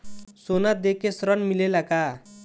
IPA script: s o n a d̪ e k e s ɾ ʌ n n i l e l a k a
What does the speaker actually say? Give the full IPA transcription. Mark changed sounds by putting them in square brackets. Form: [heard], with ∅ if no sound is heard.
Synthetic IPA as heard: s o n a d̪ e k e s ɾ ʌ n [m] i l e l a k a